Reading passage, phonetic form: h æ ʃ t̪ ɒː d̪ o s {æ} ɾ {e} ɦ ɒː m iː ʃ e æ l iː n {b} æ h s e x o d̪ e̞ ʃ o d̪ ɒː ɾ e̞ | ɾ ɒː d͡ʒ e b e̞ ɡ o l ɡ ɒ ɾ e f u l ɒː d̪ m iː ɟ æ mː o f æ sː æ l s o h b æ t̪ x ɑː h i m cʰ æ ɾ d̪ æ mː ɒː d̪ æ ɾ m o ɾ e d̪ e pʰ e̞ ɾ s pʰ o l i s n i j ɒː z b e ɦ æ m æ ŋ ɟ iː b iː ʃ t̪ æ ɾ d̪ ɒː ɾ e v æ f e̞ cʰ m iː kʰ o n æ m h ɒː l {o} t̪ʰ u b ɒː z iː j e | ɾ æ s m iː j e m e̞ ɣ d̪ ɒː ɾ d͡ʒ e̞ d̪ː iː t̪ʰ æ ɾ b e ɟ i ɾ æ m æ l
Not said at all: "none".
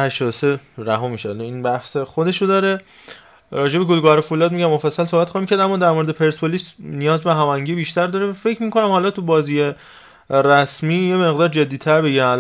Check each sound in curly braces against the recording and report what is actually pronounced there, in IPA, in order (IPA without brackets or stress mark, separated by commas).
e, æ, b, ɒ